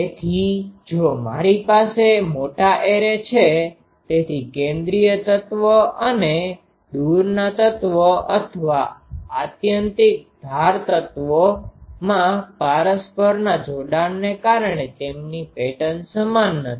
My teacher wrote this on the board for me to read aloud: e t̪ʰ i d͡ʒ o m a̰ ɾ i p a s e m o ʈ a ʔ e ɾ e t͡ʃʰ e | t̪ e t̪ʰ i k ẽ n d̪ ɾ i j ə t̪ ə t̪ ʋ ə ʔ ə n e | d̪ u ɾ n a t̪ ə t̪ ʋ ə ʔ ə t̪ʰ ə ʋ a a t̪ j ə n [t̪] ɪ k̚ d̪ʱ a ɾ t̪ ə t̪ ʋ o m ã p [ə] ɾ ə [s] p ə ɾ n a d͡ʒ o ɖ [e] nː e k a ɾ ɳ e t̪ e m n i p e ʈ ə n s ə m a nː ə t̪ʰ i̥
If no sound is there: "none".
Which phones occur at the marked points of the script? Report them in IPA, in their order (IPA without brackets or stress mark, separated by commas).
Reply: t̪, a, s, a